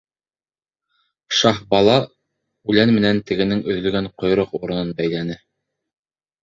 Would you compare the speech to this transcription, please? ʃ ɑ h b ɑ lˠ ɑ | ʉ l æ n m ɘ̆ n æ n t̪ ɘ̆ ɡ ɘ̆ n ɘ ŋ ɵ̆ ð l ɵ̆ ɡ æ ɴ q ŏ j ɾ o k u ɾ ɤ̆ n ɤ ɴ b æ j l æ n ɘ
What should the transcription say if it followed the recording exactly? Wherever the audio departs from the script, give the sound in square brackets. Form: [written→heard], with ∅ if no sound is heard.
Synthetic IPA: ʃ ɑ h b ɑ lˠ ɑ | ʉ l æ n m ɘ̆ n æ n t̪ ɘ̆ ɡ ɘ̆ n ɘ ŋ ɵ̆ ð l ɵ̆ ɡ æ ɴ q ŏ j ɾ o [k→q] u ɾ ɤ̆ n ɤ [ɴ→n] b æ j l æ n ɘ